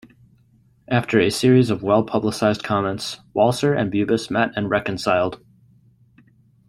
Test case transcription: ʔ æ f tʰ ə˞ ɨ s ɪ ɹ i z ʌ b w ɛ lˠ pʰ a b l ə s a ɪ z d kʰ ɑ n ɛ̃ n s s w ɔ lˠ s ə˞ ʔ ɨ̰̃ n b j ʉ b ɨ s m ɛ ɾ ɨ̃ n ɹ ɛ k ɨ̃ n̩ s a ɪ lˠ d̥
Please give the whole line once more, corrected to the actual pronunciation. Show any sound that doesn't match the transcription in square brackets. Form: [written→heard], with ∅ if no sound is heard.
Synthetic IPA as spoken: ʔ æ f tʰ ə˞ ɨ s ɪ ɹ i z ʌ [b→v] w ɛ lˠ pʰ [a→ʌ] b l ə s a ɪ z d kʰ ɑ [n→m] ɛ̃ n [s→t] s w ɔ lˠ s ə˞ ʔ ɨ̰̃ n b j ʉ b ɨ s m ɛ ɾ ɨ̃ n ɹ ɛ k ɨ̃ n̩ s a ɪ lˠ d̥

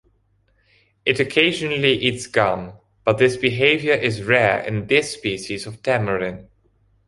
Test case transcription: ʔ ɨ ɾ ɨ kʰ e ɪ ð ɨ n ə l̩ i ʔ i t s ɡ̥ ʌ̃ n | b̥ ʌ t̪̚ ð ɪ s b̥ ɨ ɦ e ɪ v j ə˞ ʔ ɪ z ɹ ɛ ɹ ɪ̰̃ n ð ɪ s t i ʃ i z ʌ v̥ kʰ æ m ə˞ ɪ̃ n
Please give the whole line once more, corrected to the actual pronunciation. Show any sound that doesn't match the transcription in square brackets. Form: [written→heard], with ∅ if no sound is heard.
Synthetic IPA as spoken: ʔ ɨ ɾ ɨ kʰ e ɪ [ð→ʒ] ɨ n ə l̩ i ʔ i t s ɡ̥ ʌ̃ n | b̥ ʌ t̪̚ ð ɪ s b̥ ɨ ɦ e ɪ v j ə˞ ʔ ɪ z ɹ ɛ ɹ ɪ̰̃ n ð ɪ s [t→p] i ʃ i z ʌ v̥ [kʰ→tʰ] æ m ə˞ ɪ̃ n

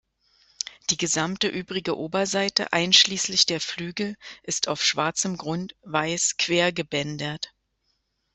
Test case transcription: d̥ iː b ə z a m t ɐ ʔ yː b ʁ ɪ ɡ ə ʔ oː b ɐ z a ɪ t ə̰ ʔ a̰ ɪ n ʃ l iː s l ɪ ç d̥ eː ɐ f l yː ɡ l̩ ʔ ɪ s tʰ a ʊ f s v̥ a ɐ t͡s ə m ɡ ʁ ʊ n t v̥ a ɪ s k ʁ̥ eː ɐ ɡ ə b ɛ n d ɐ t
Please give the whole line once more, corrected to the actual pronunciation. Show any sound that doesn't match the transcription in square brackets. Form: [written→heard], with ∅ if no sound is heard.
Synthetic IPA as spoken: d̥ iː [b→ɡ] ə z a m t [ɐ→ə] ʔ yː b ʁ ɪ ɡ ə ʔ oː b ɐ z a ɪ t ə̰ ʔ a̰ ɪ n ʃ l iː s l ɪ ç d̥ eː ɐ f l yː ɡ l̩ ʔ ɪ s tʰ a ʊ f [s→ʃ] v̥ a ɐ t͡s ə m ɡ ʁ ʊ n t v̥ a ɪ s k [ʁ̥→v̥] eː ɐ ɡ ə b ɛ n d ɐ t

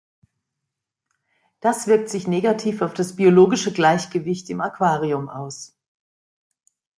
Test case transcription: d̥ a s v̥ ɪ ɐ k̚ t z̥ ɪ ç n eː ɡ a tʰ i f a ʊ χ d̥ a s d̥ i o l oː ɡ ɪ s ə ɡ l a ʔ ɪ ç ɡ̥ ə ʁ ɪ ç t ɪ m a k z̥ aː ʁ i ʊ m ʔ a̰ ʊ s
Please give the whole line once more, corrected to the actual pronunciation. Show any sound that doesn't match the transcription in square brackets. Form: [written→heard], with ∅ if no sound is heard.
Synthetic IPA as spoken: d̥ a s v̥ ɪ ɐ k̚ t z̥ ɪ ç n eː ɡ a tʰ [i→iː] f a ʊ [χ→f] d̥ a s [d̥→b̥] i o l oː ɡ ɪ [s→ʃ] ə ɡ l a [ʔ→∅] ɪ ç ɡ̥ ə [ʁ→v] ɪ ç t ɪ m a k [z̥→v̥] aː ʁ i ʊ m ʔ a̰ ʊ s

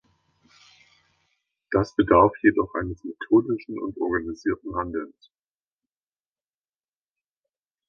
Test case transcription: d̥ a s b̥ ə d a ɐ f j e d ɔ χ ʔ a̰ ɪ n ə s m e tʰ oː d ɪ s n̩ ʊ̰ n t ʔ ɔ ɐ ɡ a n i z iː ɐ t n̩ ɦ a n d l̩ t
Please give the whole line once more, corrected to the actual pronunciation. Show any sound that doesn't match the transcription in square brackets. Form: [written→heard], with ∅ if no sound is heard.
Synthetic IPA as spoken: d̥ a s b̥ ə d a ɐ f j e d ɔ χ ʔ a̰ ɪ n ə s m e tʰ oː d ɪ [s→ʃ] n̩ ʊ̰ n t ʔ ɔ ɐ ɡ a n i z iː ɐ t n̩ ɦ a n d l̩ [t→s]

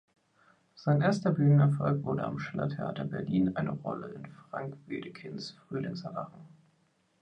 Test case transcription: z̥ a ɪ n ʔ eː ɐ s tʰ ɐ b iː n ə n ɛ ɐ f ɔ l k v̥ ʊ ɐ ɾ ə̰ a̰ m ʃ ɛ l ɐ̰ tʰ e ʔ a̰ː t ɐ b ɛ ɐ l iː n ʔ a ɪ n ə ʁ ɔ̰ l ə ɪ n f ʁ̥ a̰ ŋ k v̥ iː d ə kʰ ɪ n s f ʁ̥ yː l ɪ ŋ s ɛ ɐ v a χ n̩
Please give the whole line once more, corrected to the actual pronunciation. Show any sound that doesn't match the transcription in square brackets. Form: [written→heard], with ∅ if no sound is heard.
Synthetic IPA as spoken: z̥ a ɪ n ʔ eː ɐ s [tʰ→t] ɐ b [iː→yː] n ə n ɛ ɐ f ɔ l k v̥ ʊ ɐ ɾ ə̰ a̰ m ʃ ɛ l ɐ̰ tʰ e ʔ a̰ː t ɐ b ɛ ɐ l iː n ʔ a ɪ n ə ʁ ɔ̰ l ə ɪ n f ʁ̥ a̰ ŋ k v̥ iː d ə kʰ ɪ n s f ʁ̥ yː l ɪ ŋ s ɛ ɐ v a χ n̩

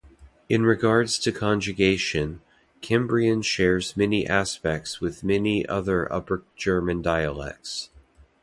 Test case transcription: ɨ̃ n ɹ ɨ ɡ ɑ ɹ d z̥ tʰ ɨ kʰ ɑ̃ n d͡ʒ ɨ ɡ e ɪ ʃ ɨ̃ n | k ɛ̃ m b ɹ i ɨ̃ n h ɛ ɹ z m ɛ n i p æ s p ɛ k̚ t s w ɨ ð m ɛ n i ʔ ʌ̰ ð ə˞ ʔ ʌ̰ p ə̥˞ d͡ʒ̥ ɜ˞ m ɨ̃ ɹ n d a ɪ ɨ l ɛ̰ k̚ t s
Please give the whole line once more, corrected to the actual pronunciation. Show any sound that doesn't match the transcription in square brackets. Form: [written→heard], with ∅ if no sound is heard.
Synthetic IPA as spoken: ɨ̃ n ɹ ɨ ɡ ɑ ɹ d z̥ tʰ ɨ kʰ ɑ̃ n d͡ʒ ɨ ɡ e ɪ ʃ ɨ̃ n | [k→kʰ] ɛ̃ m b ɹ i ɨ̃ n [h→ʃ] ɛ ɹ z m ɛ n i [p→ʔ] æ s p ɛ k̚ t s w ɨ ð m ɛ n i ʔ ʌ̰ ð ə˞ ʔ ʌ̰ p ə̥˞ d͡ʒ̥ ɜ˞ m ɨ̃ [ɹ→∅] n d a ɪ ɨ l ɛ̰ k̚ t s

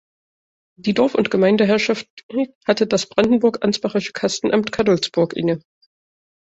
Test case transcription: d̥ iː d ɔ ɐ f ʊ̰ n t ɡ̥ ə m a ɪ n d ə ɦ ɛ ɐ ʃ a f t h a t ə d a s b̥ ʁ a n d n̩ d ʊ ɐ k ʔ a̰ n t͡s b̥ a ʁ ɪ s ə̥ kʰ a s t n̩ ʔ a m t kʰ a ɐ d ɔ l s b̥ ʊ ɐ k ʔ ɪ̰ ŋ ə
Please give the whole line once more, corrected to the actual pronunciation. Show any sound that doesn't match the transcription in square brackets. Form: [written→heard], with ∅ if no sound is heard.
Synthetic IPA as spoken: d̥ iː d ɔ ɐ f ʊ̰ n t ɡ̥ ə m a ɪ n d ə ɦ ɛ ɐ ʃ a f t h a t ə d a s b̥ ʁ a n d n̩ [d→b] ʊ ɐ k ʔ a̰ n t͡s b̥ a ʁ ɪ [s→ʃ] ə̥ kʰ a s t n̩ ʔ a m t kʰ a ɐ d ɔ l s b̥ ʊ ɐ k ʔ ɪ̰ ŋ ə

